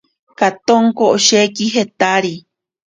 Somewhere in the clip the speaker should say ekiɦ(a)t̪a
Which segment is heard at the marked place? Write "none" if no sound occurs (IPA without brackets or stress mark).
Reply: e